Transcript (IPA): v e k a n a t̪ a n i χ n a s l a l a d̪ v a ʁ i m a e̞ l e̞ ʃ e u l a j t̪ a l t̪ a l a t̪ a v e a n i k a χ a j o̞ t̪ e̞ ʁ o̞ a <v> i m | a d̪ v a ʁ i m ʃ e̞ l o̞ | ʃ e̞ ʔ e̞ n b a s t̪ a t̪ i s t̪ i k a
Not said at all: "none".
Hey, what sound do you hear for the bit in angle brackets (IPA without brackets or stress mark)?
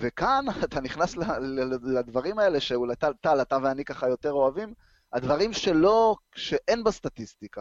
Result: v